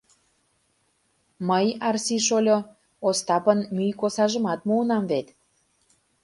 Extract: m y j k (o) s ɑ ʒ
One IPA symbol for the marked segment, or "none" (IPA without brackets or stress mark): o